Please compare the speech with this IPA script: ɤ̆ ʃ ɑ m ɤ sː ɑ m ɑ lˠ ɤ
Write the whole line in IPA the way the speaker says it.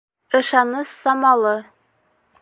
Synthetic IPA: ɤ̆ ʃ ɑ n ɤ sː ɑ m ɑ lˠ ɤ

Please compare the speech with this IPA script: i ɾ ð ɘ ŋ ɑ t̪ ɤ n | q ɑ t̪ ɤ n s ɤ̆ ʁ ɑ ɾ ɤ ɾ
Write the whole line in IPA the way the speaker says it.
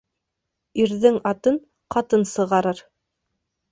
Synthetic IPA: i ɾ ð ɘ ŋ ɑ t̪ ɤ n | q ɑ t̪ ɤ n s ɤ̆ ʁ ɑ ɾ ɤ ɾ

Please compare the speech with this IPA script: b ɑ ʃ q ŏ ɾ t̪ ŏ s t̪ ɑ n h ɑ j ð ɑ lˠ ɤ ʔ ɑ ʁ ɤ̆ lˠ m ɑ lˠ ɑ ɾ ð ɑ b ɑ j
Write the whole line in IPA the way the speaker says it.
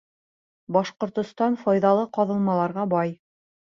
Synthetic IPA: b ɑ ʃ q ŏ ɾ t̪ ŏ s t̪ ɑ n f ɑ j ð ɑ lˠ ɤ q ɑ ð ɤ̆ lˠ m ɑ lˠ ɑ ɾ ʁ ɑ b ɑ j

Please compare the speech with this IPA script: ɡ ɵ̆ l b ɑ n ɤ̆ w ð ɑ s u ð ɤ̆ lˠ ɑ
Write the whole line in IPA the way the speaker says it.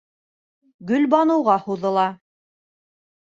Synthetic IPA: ɡ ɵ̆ l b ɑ n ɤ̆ w ʁ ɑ h u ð ɤ̆ lˠ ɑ

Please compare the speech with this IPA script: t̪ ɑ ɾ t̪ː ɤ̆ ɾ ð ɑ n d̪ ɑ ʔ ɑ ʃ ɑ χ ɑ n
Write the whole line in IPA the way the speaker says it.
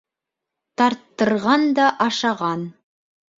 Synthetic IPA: t̪ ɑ ɾ t̪ː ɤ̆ ɾ ʁ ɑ n d̪ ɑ ʔ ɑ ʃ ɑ ʁ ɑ n

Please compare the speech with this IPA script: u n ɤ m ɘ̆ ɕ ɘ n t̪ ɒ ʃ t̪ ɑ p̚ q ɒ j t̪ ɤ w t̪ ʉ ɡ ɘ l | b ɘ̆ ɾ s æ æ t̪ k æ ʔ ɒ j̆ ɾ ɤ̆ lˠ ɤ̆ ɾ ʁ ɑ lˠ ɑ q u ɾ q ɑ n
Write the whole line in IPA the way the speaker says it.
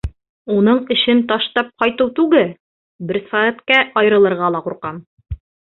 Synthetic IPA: u n ɤ ɴ ɘ̆ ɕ ɘ n t̪ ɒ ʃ t̪ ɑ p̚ q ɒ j t̪ ɤ w t̪ ʉ ɡ ɘ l | b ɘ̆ ɾ s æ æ t̪ k æ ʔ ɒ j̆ ɾ ɤ̆ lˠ ɤ̆ ɾ ʁ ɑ lˠ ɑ q u ɾ q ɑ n

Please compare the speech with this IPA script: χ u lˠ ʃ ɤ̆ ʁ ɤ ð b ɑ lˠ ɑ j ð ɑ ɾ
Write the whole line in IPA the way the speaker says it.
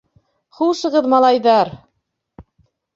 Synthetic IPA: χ u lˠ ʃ ɤ̆ ʁ ɤ ð m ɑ lˠ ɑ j ð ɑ ɾ

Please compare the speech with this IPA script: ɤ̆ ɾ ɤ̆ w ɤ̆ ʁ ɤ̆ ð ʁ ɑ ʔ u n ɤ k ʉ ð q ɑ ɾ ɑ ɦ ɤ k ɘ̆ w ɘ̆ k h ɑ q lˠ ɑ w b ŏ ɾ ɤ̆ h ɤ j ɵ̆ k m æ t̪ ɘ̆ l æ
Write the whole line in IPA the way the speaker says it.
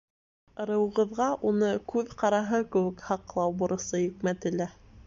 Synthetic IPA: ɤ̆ ɾ ɤ̆ w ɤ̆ ʁ ɤ̆ ð ʁ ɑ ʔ u n ɤ k ʉ ð q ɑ ɾ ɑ ɦ ɤ k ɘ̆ w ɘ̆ k h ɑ q lˠ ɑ w b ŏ ɾ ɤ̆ s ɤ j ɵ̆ k m æ t̪ ɘ̆ l æ

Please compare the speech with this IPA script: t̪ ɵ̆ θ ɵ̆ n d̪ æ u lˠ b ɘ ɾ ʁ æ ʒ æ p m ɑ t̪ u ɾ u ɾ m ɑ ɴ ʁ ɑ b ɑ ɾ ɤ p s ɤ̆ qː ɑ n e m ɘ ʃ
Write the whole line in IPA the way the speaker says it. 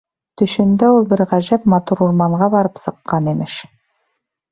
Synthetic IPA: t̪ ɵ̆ ʃ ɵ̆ n d̪ æ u lˠ b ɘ ɾ ʁ æ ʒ æ p m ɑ t̪ u ɾ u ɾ m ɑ ɴ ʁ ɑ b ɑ ɾ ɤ p s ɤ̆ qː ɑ n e m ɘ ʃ

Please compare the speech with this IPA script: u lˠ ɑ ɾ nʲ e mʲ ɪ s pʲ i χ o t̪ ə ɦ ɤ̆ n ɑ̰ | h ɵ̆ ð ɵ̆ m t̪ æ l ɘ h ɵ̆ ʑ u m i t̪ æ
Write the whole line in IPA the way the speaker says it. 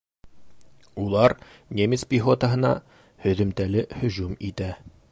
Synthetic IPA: u lˠ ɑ ɾ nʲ e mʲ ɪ s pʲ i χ o t̪ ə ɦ ɤ̆ n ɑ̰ | h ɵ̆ ð ɵ̆ m t̪ æ l ɘ h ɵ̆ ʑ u m i t̪ æ

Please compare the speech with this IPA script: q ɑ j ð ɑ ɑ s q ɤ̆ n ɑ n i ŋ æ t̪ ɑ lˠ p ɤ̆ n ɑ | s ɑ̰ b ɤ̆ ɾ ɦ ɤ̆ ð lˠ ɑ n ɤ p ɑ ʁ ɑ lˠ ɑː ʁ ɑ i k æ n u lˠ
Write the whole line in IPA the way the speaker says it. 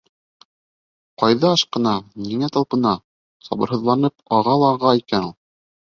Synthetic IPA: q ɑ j ð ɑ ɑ ʃ q ɤ̆ n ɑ n i ŋ æ t̪ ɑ lˠ p ɤ̆ n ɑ | s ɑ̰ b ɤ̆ ɾ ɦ ɤ̆ ð lˠ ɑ n ɤ p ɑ ʁ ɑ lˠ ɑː ʁ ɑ i k æ n u lˠ

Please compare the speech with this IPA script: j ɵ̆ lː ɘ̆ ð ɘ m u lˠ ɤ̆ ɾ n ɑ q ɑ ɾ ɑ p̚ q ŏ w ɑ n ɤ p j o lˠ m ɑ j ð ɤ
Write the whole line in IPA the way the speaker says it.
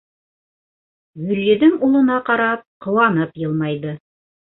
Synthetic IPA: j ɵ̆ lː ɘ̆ ð ɘ ŋ u lˠ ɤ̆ n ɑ q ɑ ɾ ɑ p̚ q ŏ w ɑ n ɤ p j ɤ lˠ m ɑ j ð ɤ

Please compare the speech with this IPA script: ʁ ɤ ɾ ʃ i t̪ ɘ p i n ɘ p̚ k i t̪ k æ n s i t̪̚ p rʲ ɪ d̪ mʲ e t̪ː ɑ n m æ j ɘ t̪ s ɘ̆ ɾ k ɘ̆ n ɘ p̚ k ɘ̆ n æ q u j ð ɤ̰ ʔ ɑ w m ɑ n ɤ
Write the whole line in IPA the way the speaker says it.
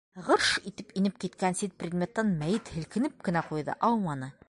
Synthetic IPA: ʁ ɤ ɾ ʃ i t̪ ɘ p i n ɘ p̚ k i t̪ k æ n s i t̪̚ p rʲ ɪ d̪ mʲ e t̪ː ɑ n m æ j ɘ t̪ h ɘ̆ l k ɘ̆ n ɘ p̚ k ɘ̆ n æ q u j ð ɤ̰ ʔ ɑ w m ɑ n ɤ

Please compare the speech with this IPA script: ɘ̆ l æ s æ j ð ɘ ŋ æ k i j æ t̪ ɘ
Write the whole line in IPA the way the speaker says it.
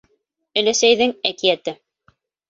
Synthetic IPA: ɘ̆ l æ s æ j ð ɘ ŋ æ k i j æ t̪ ɘ

